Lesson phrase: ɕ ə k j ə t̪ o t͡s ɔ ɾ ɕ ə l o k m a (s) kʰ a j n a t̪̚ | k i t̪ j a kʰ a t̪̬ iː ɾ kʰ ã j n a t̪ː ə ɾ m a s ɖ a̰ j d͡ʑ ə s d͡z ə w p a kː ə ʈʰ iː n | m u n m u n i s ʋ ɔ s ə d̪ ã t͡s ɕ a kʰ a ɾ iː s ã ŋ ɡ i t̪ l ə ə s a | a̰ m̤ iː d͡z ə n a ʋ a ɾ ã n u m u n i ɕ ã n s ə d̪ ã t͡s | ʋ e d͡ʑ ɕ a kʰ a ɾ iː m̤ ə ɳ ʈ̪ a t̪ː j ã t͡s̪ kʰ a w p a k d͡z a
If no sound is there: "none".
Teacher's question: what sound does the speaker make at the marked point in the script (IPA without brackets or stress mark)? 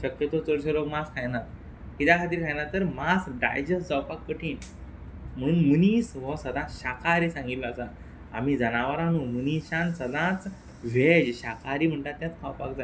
s